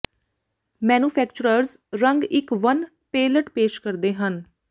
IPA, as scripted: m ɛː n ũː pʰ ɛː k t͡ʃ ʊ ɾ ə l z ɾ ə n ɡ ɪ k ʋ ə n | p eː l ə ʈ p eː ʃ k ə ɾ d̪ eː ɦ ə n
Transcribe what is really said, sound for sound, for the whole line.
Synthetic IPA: m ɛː n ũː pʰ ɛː k t͡ʃ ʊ ɾ ə ɾ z ɾ ə ŋ ɡ ɪ k ʋ ə n | p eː l ə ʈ p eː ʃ k ə ɾ d̪ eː ɦ ə n